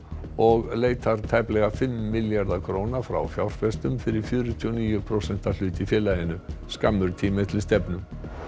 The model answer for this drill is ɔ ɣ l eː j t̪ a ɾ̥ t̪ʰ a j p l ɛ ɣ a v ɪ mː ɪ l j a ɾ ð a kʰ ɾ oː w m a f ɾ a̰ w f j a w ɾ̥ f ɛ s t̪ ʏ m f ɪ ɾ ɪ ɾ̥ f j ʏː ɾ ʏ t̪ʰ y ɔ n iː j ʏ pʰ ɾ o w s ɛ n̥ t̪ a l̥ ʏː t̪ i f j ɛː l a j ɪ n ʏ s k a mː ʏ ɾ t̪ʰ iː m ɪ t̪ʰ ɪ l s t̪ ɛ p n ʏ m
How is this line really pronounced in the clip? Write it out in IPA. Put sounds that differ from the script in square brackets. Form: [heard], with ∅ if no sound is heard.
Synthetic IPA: ɔ ɣ l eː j t̪ a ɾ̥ t̪ʰ a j p l ɛ ɣ a [f] ɪ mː ɪ l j a ɾ ð a kʰ ɾ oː w [n] a f ɾ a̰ w f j a w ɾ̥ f ɛ s t̪ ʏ m f ɪ ɾ ɪ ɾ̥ f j ʏː ɾ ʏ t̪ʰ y ɔ n iː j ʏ pʰ ɾ o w s ɛ n̥ t̪ a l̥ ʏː t̪ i f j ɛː l a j ɪ n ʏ s k a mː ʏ ɾ t̪ʰ iː m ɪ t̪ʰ ɪ l s t̪ ɛ p n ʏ m